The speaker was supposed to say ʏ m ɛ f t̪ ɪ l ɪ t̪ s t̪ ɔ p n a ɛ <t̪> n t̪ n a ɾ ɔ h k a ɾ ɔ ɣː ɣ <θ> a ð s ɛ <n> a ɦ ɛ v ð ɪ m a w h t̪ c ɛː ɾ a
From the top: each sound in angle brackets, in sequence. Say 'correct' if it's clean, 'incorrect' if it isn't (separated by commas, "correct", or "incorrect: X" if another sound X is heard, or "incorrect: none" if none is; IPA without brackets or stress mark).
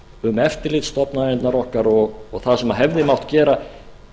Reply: incorrect: none, correct, incorrect: m